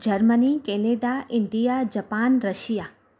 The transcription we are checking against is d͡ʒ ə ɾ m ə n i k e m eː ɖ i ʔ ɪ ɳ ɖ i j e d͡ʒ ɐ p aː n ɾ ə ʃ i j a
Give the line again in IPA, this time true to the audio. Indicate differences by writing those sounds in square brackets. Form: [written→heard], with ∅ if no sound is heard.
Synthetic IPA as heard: d͡ʒ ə ɾ m ə n i k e [m→n] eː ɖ [i→a] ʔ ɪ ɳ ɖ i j [e→a] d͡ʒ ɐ p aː n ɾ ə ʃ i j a